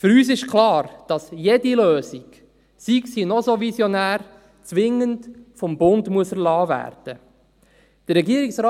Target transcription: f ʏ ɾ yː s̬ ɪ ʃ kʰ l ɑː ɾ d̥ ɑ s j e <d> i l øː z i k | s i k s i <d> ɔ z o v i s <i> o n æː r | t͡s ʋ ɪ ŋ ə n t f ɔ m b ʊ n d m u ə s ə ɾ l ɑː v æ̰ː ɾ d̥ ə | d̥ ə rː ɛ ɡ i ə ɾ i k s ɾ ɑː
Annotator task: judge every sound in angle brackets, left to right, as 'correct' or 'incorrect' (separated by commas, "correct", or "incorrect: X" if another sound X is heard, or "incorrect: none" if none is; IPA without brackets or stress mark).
correct, incorrect: n, incorrect: j